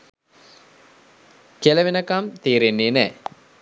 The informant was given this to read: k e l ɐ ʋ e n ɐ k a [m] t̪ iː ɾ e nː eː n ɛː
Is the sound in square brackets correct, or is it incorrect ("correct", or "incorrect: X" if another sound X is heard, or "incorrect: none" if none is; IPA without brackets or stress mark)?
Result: correct